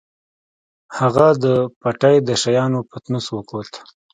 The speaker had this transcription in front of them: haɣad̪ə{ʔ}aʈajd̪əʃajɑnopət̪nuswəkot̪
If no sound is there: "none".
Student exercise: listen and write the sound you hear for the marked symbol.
p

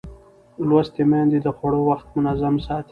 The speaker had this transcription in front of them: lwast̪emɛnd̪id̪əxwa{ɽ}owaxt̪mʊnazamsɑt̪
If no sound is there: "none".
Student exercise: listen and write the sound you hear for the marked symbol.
ɽ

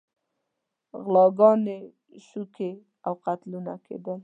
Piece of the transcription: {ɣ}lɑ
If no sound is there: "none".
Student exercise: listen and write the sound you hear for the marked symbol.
ɣ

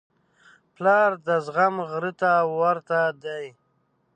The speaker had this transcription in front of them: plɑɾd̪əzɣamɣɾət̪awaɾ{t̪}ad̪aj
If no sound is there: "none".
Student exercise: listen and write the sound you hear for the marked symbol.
t̪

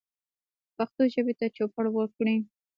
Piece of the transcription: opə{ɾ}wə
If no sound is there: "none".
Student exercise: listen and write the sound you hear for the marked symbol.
ɽ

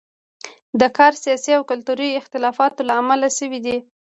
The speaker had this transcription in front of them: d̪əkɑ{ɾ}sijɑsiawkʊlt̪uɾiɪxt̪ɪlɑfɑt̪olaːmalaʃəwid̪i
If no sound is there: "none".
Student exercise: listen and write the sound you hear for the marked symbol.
ɾ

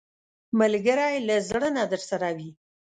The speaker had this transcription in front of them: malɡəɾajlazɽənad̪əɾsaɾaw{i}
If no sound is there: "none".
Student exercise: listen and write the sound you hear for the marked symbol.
i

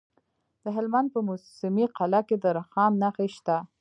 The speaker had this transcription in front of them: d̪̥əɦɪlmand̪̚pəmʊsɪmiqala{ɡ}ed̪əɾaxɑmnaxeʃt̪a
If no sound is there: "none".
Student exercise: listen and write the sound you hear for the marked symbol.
k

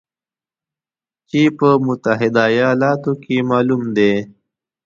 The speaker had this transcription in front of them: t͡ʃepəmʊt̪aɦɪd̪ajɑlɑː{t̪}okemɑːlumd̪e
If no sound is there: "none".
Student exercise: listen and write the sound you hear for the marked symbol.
t̪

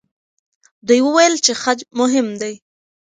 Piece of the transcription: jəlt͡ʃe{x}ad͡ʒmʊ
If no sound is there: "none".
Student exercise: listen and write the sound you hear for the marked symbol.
x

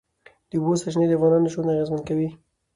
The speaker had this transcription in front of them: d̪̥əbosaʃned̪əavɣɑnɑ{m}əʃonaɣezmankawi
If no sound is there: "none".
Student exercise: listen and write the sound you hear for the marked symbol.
n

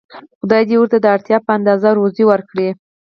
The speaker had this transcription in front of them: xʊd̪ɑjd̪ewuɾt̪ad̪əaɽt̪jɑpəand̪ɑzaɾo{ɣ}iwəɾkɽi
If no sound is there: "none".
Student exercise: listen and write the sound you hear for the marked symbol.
z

